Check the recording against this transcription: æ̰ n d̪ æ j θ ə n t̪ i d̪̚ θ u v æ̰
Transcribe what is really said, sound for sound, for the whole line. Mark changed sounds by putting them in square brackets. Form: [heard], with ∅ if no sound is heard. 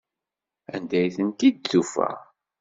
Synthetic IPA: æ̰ n d̪ æ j θ ə n t̪ i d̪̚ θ u [f] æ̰